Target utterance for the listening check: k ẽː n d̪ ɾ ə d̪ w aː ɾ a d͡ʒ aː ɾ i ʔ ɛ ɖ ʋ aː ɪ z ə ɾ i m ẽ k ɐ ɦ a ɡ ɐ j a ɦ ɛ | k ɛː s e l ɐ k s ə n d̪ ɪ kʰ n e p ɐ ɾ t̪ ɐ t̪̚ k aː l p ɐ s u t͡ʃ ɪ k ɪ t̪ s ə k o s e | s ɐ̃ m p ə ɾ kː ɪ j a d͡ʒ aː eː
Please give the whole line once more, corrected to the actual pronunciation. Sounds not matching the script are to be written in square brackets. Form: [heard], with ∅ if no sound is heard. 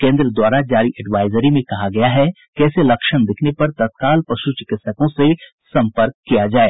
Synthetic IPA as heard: k ẽː n d̪ ɾ ə d̪ w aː ɾ a d͡ʒ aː ɾ i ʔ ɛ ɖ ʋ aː ɪ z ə ɾ i m ẽ k ɐ ɦ a ɡ ɐ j a ɦ ɛ | k ɛː s e l ɐ k [ʃ] ə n d̪ ɪ kʰ n e p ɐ ɾ t̪ ɐ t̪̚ k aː l p ɐ [ʃ] u t͡ʃ ɪ k ɪ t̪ s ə k [õ] s e | s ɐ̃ m p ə ɾ kː [i] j a d͡ʒ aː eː